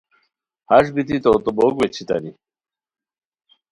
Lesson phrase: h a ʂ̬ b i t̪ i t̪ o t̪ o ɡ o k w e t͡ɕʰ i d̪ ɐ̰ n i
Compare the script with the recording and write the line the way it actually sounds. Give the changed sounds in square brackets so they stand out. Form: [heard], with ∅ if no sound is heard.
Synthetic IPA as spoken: h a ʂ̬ b i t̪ i t̪ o t̪ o [b] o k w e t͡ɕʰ i [t̪] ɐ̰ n i